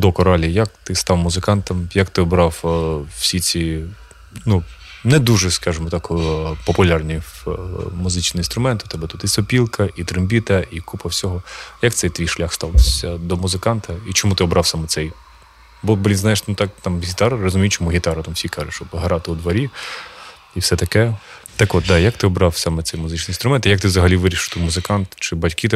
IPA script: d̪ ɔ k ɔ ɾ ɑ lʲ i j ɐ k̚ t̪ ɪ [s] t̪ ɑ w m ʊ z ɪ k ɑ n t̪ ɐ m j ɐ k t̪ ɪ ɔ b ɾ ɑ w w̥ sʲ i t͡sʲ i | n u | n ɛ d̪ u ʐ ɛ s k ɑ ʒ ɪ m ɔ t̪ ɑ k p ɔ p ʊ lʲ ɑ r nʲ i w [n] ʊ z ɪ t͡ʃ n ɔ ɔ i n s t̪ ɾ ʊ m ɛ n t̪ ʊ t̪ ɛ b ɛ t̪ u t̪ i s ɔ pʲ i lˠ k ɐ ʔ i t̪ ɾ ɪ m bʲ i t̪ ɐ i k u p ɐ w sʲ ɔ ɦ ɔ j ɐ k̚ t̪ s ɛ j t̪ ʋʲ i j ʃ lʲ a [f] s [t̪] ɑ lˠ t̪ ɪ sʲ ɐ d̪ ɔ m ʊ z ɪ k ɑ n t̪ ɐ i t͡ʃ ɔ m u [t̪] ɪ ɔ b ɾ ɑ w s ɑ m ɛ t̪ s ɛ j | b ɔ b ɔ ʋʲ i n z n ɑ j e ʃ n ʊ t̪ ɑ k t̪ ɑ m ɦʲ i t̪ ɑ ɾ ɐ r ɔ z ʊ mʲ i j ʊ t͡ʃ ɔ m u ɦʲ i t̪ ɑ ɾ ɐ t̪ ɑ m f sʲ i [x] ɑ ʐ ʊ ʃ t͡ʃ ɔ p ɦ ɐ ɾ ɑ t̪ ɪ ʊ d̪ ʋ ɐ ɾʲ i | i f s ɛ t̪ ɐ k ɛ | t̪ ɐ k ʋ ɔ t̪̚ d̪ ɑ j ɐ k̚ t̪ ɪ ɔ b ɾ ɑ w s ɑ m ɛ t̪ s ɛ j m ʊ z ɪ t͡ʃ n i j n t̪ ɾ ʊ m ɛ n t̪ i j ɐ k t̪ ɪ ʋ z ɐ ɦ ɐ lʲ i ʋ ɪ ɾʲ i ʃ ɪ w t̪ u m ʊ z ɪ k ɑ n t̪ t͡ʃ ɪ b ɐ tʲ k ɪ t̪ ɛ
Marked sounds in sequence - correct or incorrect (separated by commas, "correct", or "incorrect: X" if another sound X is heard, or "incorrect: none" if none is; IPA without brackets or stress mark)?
correct, incorrect: m, incorrect: x, correct, correct, incorrect: k